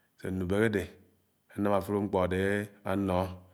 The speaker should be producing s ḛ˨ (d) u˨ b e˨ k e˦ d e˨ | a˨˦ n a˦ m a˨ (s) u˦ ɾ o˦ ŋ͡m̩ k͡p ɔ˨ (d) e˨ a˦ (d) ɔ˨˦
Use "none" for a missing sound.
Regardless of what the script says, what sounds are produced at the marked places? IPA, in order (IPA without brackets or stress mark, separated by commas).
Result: n, f, d, n